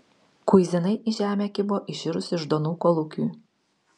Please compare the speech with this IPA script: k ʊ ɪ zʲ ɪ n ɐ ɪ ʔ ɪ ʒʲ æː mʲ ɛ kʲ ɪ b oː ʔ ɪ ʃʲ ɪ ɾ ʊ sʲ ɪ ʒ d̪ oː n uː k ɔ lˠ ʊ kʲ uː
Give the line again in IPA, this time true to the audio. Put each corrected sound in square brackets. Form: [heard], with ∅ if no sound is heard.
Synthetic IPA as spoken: k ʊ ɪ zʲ ɪ n ɐ ɪ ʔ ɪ ʒʲ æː mʲ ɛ kʲ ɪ b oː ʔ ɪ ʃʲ ɪ ɾ ʊ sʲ ɪ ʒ d̪ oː n uː k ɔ lˠ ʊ kʲ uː